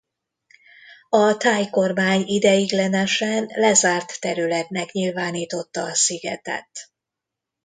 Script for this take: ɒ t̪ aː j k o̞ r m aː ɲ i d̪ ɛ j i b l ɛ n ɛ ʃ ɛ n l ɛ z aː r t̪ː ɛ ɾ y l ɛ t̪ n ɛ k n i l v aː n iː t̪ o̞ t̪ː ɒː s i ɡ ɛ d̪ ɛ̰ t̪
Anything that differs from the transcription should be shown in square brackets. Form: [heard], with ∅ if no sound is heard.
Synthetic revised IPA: ɒ t̪ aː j k o̞ r m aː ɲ i d̪ ɛ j i [ɡ] l ɛ n ɛ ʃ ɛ n l ɛ z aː r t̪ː ɛ ɾ y l ɛ t̪ n ɛ k [ɲ] i l v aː n iː t̪ o̞ t̪ː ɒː s i ɡ ɛ [t̪] ɛ̰ t̪